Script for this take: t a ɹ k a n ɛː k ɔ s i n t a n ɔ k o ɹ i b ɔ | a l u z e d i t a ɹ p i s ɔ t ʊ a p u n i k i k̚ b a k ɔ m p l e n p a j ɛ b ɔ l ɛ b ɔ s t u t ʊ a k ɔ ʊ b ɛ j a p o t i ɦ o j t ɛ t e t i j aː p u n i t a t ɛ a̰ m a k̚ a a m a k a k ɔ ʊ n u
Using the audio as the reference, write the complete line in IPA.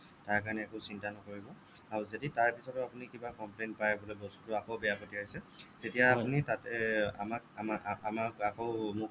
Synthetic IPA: t a ɹ k a n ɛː k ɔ s i n t a n ɔ k o ɹ i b ɔ | a ɹ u z e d i t a ɹ p i s ɔ t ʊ a p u n i k i b a k ɔ m p l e n p a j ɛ b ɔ l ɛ b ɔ s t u t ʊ a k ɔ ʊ b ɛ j a p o t i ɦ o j s ɛ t e t i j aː p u n i t a t ɛ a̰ m a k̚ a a m a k a k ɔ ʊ m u

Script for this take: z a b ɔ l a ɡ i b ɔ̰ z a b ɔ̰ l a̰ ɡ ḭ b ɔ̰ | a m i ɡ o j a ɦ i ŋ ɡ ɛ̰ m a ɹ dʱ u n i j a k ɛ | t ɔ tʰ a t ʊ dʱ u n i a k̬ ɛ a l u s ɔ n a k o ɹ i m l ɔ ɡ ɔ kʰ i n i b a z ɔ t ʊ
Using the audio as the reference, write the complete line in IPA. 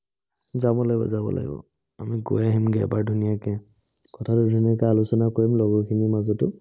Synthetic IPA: z a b ɔ l a ɡ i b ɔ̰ z a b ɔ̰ l a̰ ɡ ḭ b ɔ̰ | a m i ɡ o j a ɦ i m ɡ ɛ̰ b a ɹ dʱ u n i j a k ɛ | k ɔ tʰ a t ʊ dʱ u n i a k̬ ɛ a l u s ɔ n a k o ɹ i m l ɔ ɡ ɔ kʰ i n i m a z ɔ t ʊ

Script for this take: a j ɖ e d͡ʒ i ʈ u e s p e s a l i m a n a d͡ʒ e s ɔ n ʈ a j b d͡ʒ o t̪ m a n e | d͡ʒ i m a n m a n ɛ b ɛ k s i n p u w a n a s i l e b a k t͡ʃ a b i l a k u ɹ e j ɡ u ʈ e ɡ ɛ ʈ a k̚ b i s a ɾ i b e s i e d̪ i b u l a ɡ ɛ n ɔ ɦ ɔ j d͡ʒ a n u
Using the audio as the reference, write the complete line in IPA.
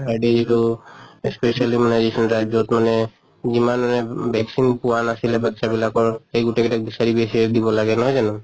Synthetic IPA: a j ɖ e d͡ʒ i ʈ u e s p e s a l i m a n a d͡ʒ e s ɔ n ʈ a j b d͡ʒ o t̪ m a n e | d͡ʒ i m a n m a n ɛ b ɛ k s i n p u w a n a s i l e b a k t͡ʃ a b i l a k ɔ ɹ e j ɡ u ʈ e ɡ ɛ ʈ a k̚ b i s a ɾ i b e s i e d̪ i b ɔ l a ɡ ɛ n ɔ ɦ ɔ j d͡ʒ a n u

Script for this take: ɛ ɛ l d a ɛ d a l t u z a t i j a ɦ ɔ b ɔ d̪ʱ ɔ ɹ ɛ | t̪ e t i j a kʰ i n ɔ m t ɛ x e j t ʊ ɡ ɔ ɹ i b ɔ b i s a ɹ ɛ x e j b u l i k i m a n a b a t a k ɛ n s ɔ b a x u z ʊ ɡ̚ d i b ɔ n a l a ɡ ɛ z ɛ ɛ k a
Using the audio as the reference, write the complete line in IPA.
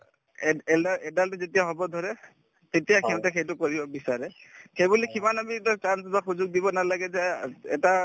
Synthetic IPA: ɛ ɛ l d a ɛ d a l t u z e t i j a ɦ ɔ b ɔ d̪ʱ ɔ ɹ ɛ | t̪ e t i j a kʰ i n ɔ t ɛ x e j t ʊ k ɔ ɹ i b ɔ b i s a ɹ ɛ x e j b u l i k i m a n a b i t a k a n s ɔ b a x u z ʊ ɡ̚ d i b ɔ n a l a ɡ ɛ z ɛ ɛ t a

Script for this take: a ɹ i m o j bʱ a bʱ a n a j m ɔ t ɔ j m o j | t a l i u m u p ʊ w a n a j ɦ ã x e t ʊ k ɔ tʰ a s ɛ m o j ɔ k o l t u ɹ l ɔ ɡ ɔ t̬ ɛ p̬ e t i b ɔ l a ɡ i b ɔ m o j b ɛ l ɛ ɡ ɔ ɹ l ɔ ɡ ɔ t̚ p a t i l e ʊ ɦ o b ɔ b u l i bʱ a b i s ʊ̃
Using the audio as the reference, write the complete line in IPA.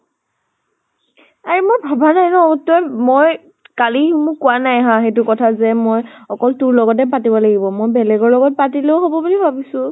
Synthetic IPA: a ɹ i m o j bʱ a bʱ a n a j n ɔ t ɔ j m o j | k a l i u m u k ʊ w a n a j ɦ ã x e t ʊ k ɔ tʰ a z ɛ m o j ɔ k ɔ l t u ɹ l ɔ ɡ ɔ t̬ ɛ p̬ a t i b ɔ l a ɡ i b ɔ m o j b ɛ l ɛ ɡ ɔ ɹ l ɔ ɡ ɔ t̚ p a t i l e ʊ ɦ o b ɔ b u l i bʱ a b i s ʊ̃

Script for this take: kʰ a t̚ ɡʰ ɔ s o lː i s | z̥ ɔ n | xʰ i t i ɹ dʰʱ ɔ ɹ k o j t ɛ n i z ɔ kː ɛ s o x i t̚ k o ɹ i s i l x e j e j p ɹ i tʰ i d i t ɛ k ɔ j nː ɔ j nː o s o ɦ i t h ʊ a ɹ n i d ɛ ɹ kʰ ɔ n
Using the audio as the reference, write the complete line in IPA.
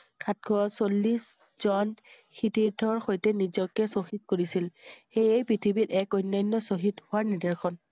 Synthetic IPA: kʰ a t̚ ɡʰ ɔ s o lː i s | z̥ ɔ n | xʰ i t i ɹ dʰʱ ɔ ɹ x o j t ɛ n i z ɔ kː ɛ s o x i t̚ k o ɹ i s i l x e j e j p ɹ i tʰ i b i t ɛ k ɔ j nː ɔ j nː ɔ s o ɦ i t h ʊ a ɹ n i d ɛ ɹ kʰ ɔ n

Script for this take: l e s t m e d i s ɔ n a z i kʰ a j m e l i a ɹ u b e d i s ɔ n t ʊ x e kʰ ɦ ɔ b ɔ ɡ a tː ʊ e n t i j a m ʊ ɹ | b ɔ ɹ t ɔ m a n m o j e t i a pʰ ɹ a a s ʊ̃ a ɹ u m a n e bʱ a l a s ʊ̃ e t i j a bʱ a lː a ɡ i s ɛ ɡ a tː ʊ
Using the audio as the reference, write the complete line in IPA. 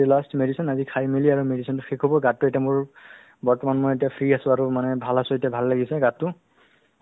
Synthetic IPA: l a s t m e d i s ɔ n a z i kʰ a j m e l i a ɹ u m e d i s ɔ n t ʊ x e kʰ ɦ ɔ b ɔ ɡ a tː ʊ e t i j a m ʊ ɹ | b ɔ ɹ t ɔ m a n m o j e t i a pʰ ɹ i a s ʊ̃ a ɹ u m a n ɛ bʱ a l a s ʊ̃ e t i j a bʱ a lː a ɡ i s ɛ ɡ a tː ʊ

